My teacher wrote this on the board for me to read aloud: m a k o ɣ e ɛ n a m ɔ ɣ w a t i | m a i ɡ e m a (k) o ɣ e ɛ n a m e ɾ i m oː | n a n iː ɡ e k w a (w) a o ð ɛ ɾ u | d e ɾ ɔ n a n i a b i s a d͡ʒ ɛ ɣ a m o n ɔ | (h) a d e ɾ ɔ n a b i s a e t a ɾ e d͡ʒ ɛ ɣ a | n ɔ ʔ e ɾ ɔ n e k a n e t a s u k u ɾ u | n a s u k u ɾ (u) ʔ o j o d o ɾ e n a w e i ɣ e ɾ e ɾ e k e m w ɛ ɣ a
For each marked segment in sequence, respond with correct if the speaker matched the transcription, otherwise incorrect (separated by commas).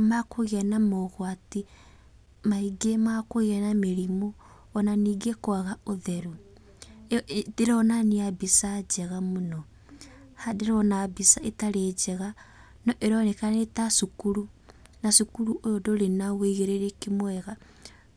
correct, incorrect, correct, correct